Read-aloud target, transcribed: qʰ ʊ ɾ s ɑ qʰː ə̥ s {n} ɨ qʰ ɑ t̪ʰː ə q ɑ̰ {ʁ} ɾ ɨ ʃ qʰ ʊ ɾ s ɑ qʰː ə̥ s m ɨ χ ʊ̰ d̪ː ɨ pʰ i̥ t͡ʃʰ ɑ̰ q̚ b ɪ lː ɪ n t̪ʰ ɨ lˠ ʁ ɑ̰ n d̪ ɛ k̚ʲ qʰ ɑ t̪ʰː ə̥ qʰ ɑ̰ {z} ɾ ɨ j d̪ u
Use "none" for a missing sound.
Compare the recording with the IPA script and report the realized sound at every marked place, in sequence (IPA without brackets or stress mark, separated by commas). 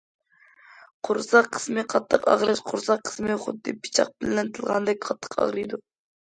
m, ʁ, ʁ